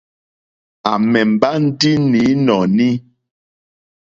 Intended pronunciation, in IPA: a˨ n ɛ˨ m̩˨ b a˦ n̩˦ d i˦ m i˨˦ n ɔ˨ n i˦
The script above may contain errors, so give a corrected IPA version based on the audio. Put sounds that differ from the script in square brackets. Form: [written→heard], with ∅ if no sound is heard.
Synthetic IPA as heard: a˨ [n→m] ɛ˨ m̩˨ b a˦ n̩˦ d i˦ [m→n] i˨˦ n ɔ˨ n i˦